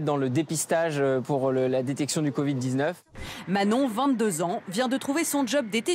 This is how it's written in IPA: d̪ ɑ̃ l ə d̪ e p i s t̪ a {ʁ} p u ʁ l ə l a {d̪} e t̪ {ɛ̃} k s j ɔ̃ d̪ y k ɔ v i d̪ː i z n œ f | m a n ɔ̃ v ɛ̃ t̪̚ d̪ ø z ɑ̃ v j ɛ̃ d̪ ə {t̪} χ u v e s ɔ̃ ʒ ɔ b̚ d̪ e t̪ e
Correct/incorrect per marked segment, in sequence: incorrect: ʒ, correct, incorrect: ɛ, correct

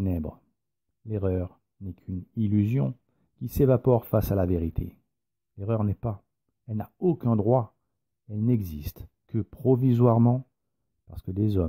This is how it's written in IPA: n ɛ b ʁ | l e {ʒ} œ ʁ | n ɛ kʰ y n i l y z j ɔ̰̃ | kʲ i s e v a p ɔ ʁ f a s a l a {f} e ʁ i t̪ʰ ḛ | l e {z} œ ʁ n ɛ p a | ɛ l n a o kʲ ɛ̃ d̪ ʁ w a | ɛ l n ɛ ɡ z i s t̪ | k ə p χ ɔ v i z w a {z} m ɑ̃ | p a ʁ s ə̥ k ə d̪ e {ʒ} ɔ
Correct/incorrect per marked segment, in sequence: incorrect: ʁ, incorrect: v, incorrect: ʁ, incorrect: ʁ, incorrect: z

